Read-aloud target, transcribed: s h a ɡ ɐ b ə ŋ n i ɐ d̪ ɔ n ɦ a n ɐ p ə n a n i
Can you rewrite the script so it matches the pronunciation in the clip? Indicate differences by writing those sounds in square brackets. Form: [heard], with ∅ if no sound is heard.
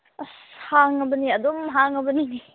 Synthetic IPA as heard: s h a [ŋ] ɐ b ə [∅] n i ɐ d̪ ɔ [m] ɦ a [ŋ] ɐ [b] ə n [i] n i